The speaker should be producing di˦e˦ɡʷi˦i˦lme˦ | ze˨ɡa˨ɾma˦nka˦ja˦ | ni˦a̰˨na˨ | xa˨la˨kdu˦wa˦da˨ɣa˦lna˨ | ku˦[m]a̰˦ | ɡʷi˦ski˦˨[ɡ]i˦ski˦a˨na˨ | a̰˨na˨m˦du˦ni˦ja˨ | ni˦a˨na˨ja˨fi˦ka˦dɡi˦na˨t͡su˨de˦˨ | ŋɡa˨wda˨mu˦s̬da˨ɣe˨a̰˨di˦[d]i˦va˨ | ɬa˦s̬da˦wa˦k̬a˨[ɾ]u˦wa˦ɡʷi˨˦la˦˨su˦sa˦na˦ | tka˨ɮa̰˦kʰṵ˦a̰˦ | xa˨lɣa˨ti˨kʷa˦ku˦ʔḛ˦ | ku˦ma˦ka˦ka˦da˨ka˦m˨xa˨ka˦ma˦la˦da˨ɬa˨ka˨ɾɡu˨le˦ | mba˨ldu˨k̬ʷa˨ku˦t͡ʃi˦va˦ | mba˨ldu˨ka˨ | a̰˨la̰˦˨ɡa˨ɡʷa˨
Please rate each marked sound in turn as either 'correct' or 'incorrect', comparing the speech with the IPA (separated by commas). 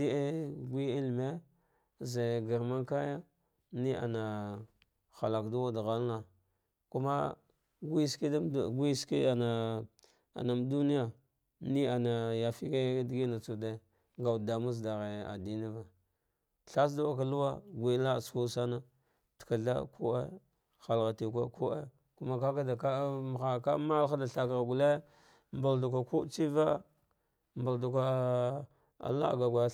correct, correct, incorrect, incorrect